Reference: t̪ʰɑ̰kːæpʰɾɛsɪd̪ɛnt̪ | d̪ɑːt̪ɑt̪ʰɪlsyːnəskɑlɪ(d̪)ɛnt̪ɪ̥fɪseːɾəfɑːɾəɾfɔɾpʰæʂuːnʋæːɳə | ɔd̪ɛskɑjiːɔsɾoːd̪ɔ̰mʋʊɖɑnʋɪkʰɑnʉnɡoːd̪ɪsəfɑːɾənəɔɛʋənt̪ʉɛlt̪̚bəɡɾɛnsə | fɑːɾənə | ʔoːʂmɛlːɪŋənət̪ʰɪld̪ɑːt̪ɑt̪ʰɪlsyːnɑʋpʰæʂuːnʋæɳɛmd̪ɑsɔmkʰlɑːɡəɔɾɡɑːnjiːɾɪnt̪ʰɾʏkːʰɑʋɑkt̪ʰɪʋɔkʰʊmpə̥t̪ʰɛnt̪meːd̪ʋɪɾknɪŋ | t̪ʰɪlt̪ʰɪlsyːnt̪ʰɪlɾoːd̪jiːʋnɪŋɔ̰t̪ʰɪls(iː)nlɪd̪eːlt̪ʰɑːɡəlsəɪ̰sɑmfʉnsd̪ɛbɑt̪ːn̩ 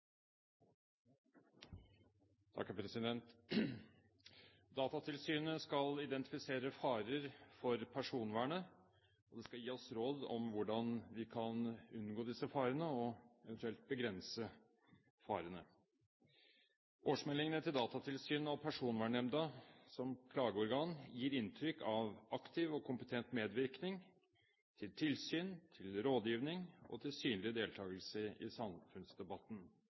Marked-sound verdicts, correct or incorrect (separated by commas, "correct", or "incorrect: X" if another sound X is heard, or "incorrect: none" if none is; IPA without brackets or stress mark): correct, incorrect: yː